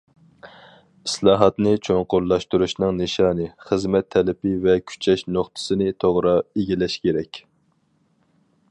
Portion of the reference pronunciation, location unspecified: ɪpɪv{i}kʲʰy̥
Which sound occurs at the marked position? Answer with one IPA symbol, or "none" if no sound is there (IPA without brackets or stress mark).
ɛ